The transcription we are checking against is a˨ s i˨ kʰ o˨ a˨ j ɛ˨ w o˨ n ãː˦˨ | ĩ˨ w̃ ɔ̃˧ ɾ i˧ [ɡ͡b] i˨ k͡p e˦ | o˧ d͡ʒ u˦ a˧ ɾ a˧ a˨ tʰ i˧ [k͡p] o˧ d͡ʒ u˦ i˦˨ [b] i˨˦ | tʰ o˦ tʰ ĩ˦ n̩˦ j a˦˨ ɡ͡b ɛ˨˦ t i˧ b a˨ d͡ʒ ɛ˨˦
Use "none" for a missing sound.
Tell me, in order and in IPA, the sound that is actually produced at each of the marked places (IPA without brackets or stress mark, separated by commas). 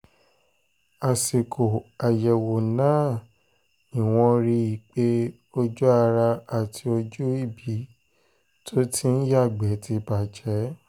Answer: none, none, b